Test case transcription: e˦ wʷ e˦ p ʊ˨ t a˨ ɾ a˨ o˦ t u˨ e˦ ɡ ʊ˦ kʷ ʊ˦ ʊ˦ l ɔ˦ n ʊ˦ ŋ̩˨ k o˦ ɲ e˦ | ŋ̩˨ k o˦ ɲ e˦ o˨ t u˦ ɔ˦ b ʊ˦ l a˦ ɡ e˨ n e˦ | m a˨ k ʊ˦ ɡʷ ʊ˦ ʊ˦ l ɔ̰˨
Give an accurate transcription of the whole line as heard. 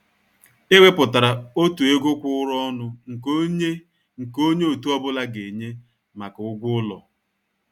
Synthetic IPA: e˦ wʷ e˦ p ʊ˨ t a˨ ɾ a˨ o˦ t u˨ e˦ ɡ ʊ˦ kʷ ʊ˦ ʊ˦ ɾ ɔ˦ n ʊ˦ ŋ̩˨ k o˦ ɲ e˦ | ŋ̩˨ k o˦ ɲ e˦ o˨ t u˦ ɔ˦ b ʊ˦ l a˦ ɡ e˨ ɲ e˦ | m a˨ k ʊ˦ ɡʷ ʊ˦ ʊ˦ l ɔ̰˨